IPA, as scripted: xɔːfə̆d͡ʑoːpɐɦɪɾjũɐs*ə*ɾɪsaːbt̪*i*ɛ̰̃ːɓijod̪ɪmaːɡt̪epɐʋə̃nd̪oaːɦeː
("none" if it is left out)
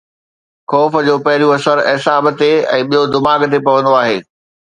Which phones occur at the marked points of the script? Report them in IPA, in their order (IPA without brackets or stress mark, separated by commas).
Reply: ə, e